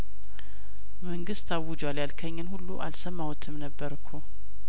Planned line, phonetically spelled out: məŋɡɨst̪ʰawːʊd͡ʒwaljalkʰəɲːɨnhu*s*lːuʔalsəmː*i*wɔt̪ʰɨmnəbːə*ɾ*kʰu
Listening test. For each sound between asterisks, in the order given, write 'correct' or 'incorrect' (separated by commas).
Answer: incorrect, incorrect, correct